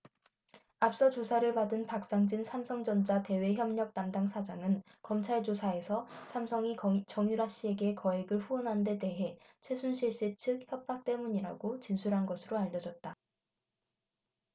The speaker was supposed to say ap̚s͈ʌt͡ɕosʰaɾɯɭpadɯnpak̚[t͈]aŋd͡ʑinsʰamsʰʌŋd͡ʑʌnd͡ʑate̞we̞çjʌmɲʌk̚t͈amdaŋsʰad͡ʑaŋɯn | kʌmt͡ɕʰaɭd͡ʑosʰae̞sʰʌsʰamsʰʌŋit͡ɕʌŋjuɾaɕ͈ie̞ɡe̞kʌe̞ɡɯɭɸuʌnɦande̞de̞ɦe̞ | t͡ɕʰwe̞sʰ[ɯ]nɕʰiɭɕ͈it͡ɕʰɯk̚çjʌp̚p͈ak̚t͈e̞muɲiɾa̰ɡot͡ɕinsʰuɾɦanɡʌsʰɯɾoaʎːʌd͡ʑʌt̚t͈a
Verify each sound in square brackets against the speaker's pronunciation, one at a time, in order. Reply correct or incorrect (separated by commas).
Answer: incorrect, incorrect